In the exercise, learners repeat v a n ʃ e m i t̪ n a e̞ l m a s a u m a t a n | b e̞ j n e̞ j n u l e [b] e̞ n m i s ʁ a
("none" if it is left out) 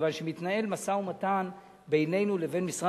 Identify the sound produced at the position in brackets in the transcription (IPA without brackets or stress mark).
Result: v